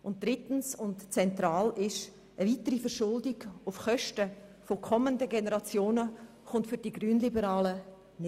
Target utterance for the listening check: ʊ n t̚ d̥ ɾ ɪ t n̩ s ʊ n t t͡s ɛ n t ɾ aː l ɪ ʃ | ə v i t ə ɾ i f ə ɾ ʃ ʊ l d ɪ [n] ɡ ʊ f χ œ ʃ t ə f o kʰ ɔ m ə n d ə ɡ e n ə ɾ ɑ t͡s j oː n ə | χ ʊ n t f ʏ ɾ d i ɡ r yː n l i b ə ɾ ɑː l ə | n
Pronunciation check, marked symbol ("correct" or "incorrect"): incorrect